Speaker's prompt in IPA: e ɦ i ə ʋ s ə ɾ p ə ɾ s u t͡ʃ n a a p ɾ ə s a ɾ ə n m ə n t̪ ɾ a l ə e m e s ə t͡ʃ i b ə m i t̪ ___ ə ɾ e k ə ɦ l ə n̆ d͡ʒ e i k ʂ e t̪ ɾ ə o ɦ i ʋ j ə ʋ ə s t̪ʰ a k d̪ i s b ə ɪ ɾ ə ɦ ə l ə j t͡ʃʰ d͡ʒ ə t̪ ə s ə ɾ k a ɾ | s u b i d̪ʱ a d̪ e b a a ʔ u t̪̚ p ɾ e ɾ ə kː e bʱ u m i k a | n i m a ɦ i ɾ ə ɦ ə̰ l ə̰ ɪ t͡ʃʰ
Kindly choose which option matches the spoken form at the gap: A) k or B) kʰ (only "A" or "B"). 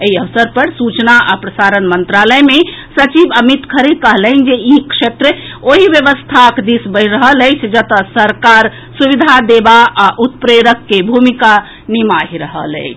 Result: B